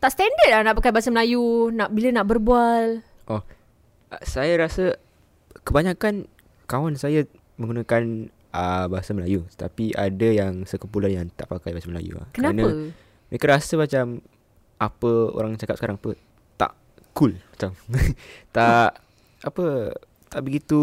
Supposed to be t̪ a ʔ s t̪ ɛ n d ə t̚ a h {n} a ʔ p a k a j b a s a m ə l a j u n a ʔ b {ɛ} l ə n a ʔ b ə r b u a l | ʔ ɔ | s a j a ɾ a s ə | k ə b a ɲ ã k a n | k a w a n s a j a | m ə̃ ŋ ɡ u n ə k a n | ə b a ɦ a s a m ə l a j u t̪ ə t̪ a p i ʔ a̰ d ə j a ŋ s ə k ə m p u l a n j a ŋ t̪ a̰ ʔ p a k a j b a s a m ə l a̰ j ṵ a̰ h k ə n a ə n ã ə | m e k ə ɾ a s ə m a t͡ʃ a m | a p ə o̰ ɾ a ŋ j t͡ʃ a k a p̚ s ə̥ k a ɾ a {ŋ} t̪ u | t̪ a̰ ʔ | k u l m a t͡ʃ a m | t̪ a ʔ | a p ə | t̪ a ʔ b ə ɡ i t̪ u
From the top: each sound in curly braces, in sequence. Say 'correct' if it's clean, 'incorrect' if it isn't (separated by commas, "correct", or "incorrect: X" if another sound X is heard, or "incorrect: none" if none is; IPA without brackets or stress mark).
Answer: correct, incorrect: i, correct